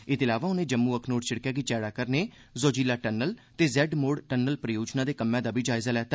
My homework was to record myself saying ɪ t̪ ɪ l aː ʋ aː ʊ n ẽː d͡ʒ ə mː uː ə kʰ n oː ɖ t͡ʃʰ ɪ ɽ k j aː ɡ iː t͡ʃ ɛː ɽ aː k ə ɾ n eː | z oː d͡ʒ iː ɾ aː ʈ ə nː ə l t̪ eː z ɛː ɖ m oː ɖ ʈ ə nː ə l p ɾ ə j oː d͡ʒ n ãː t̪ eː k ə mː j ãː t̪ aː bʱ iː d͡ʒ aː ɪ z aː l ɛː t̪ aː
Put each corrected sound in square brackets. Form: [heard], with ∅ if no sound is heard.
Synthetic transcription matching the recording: ɪ t̪ ɪ l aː ʋ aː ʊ n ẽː d͡ʒ ə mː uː ə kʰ n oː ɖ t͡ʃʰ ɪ ɽ k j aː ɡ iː t͡ʃ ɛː ɽ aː k ə ɾ n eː | z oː d͡ʒ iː [l] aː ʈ ə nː ə l t̪ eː z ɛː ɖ m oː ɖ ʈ ə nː ə l p ɾ ə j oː d͡ʒ n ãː [d̪] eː k ə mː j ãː [d̪] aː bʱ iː d͡ʒ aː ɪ z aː l ɛː t̪ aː